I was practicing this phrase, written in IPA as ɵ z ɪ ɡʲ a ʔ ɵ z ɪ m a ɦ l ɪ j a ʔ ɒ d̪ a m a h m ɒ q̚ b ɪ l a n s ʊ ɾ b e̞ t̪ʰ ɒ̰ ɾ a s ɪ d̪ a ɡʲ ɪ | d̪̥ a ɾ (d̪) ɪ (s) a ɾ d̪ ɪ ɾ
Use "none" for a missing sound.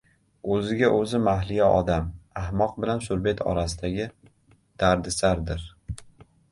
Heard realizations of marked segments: d̪, s

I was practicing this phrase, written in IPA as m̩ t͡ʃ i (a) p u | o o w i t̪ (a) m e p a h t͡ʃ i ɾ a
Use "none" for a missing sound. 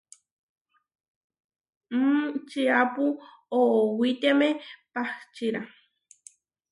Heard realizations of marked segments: a, e

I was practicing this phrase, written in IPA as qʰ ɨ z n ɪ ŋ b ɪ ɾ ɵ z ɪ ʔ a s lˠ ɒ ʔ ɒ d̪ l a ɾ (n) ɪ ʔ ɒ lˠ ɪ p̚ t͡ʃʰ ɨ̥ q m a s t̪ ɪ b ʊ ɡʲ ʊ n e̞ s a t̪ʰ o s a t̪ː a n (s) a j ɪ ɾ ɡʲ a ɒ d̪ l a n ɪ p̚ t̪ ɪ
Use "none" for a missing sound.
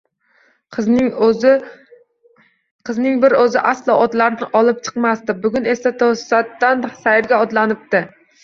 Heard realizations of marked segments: n, s

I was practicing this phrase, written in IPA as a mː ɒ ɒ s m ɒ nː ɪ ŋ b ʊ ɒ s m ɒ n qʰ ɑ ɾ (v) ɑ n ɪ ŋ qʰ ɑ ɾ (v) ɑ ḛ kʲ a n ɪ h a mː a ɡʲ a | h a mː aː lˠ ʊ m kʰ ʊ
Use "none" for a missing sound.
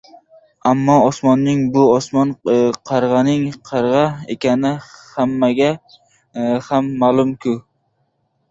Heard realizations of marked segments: ʁ, ʁ

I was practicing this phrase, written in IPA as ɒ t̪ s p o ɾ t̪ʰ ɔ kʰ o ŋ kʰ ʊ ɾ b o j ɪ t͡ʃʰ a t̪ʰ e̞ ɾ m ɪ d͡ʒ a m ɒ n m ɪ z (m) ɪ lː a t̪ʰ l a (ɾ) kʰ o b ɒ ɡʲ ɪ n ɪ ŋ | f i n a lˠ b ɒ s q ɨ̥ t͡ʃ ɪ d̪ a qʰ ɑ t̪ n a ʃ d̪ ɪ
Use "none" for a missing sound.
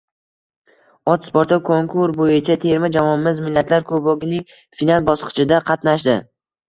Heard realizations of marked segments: m, ɾ

